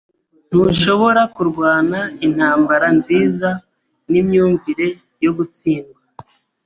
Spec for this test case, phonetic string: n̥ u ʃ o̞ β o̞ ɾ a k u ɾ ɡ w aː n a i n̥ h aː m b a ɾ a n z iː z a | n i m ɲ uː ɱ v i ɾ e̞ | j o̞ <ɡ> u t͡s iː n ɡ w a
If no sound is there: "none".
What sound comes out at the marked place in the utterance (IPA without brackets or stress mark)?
ɡ